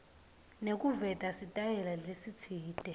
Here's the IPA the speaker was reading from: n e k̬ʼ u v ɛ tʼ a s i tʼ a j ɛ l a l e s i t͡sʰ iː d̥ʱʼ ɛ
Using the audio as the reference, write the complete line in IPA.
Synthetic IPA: n e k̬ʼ u v ɛ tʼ a s i tʼ a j ɛ l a l e s i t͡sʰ iː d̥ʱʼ ɛ